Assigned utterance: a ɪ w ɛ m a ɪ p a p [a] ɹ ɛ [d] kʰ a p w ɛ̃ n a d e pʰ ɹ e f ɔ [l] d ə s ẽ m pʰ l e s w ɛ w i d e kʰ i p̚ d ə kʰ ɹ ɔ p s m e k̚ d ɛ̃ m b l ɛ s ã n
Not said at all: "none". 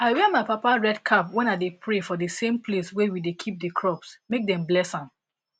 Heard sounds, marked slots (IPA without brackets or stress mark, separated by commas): a, d, none